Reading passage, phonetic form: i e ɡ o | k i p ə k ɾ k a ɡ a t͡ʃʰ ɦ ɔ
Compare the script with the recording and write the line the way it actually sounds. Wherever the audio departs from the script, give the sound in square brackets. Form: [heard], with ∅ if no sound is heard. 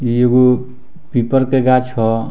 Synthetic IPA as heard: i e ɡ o | [p] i p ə [∅] ɾ k [e] ɡ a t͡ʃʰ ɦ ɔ